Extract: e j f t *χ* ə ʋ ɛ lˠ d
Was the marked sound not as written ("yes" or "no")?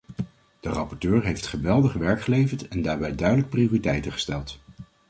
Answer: no